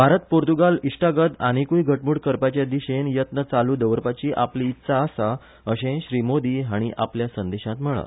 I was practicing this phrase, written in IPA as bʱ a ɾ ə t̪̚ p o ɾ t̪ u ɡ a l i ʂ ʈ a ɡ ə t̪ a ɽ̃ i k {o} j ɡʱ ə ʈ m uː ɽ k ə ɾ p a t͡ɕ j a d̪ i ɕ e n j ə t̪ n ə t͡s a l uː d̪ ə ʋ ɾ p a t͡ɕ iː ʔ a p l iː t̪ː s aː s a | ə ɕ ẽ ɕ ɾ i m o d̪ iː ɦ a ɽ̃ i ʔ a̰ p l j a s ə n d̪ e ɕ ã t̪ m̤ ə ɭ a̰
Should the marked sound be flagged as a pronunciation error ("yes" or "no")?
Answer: yes